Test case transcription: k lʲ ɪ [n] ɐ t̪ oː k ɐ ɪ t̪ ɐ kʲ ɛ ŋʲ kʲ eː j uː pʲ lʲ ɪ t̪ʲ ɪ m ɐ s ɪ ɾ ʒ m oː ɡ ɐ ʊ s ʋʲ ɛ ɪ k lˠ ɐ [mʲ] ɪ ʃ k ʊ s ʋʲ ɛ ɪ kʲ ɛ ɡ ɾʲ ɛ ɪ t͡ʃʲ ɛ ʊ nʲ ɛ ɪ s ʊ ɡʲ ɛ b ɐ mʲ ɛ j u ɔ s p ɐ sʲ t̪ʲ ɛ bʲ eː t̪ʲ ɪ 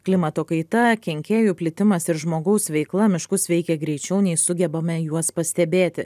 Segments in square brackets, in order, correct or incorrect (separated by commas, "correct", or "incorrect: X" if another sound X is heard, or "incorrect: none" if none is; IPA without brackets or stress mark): incorrect: m, correct